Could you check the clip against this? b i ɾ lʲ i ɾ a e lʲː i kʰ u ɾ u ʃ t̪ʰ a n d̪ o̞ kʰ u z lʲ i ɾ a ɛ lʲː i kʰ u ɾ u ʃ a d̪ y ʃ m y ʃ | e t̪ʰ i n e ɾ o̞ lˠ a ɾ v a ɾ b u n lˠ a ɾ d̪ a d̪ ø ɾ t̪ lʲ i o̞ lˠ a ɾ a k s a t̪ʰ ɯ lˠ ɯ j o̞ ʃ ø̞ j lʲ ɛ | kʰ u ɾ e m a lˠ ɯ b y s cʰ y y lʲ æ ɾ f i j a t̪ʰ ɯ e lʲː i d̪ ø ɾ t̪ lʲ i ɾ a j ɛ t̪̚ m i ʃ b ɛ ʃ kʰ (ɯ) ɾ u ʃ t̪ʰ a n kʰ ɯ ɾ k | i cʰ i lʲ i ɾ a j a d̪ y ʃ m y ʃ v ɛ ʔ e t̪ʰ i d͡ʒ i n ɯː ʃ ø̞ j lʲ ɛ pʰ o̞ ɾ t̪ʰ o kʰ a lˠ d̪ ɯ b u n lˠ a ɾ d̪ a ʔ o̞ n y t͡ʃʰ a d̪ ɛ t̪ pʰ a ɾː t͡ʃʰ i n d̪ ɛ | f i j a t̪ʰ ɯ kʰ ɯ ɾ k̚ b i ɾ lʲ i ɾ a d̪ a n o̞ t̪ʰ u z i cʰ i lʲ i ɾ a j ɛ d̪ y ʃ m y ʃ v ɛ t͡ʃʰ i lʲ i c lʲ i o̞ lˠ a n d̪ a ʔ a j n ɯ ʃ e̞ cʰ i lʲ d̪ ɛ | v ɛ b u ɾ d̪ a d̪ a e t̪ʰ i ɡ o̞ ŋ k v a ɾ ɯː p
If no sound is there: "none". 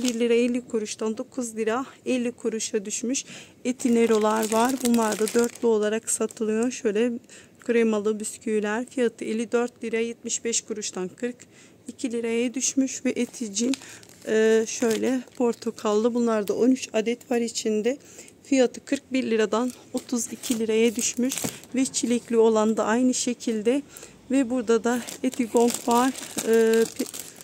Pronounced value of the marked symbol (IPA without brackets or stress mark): u